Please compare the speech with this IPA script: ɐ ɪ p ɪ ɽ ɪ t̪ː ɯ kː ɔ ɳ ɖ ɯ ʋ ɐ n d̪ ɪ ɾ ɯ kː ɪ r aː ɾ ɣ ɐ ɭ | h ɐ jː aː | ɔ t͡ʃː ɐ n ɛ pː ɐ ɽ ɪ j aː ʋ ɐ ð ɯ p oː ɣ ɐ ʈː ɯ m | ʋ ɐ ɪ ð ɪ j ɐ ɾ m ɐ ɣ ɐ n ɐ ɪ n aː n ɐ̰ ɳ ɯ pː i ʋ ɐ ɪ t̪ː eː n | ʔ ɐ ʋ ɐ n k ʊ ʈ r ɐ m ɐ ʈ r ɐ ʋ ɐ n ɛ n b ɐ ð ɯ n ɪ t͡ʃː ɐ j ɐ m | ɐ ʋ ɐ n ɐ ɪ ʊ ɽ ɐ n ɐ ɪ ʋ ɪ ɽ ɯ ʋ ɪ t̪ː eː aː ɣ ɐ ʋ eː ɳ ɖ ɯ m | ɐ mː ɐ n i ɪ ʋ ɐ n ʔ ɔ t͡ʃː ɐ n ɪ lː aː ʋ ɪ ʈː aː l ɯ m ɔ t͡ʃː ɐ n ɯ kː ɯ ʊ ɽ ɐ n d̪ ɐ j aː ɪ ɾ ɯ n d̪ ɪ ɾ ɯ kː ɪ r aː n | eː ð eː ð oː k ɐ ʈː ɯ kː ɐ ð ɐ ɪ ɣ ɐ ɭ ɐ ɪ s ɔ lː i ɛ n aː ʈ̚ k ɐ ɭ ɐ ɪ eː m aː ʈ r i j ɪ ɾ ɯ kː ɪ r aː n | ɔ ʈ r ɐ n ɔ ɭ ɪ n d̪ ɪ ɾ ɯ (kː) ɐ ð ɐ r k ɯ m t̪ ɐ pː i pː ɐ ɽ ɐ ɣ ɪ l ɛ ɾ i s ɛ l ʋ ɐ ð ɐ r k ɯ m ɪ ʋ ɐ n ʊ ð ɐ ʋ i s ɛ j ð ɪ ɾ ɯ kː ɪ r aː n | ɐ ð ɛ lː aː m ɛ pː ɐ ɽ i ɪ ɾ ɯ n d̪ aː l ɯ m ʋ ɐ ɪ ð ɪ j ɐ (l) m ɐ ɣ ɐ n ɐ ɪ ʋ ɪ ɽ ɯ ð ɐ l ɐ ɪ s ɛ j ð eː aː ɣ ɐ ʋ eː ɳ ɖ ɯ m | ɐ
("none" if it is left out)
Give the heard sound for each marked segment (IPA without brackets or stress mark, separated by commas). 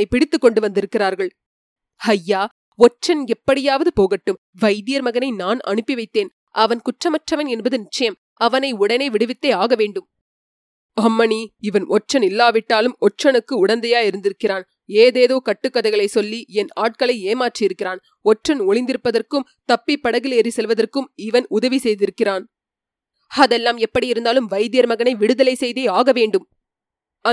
pː, ɾ